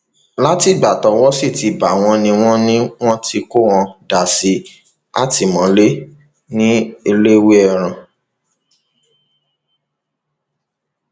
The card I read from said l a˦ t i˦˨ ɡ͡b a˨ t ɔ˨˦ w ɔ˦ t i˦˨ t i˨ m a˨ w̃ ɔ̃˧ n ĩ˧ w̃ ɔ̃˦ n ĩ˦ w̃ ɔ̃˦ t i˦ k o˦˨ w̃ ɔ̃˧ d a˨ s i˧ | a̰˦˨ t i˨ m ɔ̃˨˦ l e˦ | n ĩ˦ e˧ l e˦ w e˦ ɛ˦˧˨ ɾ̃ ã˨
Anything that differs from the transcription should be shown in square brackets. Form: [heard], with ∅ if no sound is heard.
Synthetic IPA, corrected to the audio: l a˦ t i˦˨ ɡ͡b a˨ t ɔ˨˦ w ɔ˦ [s] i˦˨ t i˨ [b] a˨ w̃ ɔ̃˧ n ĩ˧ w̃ ɔ̃˦ n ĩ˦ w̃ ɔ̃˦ t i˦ k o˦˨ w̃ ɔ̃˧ d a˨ s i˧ | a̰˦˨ t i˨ m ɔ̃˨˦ l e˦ | n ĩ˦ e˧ l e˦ w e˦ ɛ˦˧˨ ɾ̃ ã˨

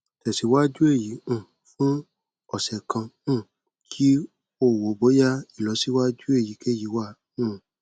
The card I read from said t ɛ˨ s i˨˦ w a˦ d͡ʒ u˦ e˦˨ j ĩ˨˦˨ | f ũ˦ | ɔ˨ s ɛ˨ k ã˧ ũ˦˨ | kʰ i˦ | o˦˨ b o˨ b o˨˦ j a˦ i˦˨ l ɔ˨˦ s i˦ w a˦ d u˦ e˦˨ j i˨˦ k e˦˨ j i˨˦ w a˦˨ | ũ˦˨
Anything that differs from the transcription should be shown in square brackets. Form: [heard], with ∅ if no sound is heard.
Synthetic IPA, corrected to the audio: t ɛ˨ s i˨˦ w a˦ d͡ʒ u˦ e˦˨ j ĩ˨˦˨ | f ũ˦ | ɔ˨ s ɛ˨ k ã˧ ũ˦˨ | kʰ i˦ | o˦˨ [w] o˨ b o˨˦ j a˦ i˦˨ l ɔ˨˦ s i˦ w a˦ [d͡ʒ] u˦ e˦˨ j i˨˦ k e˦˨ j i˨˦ w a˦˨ | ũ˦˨

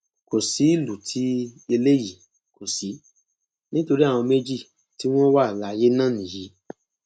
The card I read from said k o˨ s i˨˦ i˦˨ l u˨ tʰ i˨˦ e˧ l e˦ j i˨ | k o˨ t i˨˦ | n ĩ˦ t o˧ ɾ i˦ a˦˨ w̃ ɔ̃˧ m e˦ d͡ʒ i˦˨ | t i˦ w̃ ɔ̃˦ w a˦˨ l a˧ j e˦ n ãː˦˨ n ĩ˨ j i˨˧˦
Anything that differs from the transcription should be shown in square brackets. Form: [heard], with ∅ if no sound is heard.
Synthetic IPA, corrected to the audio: k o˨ s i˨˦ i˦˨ l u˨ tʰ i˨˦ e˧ l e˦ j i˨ | k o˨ [s] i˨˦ | n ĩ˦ t o˧ ɾ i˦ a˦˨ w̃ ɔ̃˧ m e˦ d͡ʒ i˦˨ | t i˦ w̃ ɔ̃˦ w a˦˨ l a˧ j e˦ n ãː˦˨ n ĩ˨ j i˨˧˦

